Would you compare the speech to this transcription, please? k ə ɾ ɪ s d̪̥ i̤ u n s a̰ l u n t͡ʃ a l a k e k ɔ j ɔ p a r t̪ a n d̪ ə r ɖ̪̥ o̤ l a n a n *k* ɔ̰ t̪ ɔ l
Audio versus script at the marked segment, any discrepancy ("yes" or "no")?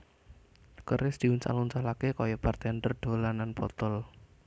yes